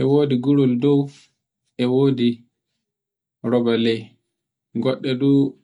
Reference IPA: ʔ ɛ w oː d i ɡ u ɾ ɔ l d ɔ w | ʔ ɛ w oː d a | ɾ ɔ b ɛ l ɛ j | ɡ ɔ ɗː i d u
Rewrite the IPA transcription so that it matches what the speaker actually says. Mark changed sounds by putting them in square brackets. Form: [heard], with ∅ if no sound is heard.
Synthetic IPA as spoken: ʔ ɛ w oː d i ɡ u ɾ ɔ l d ɔ w | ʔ ɛ w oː d [i] | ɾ ɔ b [a] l ɛ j | ɡ ɔ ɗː [ɛ] d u

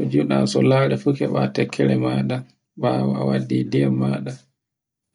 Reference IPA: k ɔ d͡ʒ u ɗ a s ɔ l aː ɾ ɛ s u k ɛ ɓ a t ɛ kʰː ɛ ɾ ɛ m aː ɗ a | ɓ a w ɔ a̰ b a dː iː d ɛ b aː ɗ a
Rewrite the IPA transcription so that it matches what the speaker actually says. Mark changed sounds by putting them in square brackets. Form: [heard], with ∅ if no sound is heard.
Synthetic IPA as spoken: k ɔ d͡ʒ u ɗ a s ɔ l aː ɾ ɛ [f] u k ɛ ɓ a t ɛ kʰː ɛ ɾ ɛ m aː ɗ a | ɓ a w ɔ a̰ [w] a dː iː d ɛ [m] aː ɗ a

